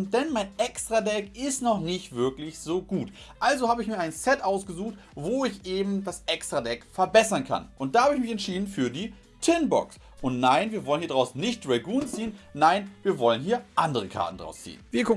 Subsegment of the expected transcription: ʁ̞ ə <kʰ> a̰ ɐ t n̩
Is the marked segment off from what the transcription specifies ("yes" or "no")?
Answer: no